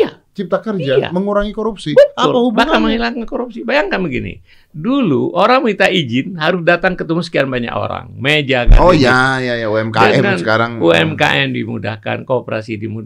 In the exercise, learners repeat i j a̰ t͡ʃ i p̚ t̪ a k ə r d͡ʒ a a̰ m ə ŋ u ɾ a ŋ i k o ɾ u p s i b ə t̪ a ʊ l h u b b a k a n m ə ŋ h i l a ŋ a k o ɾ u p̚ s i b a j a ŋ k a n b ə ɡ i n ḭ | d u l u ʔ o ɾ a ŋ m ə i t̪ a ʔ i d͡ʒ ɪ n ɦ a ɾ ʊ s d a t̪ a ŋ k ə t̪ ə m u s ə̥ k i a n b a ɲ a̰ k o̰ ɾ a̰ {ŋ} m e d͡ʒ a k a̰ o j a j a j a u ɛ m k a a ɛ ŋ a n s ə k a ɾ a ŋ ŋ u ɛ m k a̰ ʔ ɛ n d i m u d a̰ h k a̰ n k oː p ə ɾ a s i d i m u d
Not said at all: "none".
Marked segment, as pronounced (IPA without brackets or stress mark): ŋ